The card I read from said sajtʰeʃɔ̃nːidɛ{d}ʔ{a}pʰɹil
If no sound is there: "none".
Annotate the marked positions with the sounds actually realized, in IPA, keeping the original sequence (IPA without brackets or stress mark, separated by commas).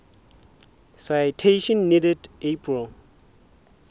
d, e